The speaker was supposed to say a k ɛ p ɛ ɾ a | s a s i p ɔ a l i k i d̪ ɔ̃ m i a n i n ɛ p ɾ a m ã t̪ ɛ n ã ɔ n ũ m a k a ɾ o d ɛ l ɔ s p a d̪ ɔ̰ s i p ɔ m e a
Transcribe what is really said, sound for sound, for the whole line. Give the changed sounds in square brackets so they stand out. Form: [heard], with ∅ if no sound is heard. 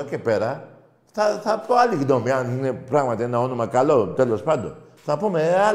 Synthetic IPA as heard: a k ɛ p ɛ ɾ a | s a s [a] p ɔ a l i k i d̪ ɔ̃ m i a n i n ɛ p ɾ a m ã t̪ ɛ n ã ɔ n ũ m a k a [l] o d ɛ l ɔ s p a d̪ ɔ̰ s [a] p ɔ m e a